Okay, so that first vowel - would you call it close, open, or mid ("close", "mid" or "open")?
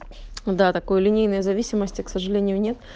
open